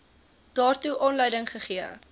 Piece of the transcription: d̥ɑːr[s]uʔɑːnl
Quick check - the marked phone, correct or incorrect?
incorrect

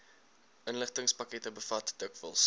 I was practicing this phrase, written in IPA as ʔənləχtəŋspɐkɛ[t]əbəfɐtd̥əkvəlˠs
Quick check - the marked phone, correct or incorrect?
correct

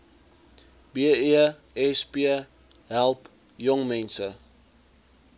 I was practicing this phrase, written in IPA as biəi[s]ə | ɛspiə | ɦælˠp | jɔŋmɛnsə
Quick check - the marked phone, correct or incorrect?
incorrect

